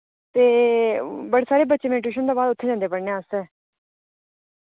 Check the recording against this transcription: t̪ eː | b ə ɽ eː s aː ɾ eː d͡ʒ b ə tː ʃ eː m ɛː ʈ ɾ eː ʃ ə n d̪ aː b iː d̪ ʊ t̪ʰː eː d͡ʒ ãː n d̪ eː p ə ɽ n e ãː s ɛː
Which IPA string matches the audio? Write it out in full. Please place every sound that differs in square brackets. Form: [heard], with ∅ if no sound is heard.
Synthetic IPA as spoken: t̪ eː | b ə ɽ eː s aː ɾ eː [∅] b ə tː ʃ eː m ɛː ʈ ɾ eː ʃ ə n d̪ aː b [aː] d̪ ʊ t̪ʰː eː d͡ʒ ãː n d̪ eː p ə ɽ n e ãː s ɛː